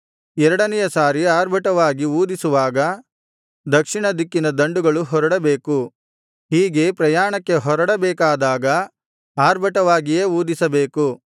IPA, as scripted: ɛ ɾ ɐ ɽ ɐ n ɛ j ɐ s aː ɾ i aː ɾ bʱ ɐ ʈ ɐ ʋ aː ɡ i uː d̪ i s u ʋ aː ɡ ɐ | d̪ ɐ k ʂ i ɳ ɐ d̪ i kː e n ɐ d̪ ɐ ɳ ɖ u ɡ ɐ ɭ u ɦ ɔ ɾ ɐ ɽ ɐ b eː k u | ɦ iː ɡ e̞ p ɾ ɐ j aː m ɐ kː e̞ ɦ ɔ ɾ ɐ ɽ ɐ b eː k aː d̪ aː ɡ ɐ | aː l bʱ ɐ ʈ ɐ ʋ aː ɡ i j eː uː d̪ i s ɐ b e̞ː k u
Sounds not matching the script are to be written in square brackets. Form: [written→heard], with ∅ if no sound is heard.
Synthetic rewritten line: ɛ ɾ ɐ ɽ ɐ n ɛ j ɐ s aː ɾ i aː ɾ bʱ ɐ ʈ ɐ ʋ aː ɡ i uː d̪ i s u ʋ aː ɡ ɐ | d̪ ɐ k ʂ i ɳ ɐ d̪ i kː [e→i] n ɐ d̪ ɐ ɳ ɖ u ɡ ɐ ɭ u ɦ ɔ ɾ ɐ ɽ ɐ b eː k u | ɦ iː ɡ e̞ p ɾ ɐ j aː [m→ɳ] ɐ kː e̞ ɦ ɔ ɾ ɐ ɽ ɐ b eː k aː d̪ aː ɡ ɐ | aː [l→ɾ] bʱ ɐ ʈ ɐ ʋ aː ɡ i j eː uː d̪ i s ɐ b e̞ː k u